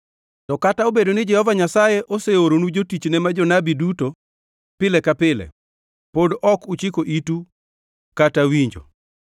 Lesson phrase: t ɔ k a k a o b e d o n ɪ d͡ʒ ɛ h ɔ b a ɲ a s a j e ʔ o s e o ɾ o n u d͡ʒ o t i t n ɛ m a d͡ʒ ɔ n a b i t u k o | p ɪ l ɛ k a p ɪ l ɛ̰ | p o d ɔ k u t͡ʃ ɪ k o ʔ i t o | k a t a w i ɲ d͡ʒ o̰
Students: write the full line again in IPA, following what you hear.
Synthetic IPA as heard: t ɔ k a t a o b e d o n ɪ d͡ʒ ɛ h ɔ v a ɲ a s a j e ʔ o s e o ɾ o n u d͡ʒ o t i t͡ʃ n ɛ m a d͡ʒ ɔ n a b i d u t o | p ɪ l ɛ k a p ɪ l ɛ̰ | p o d ɔ k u t͡ʃ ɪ k o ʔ i t u | k a t a w i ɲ d͡ʒ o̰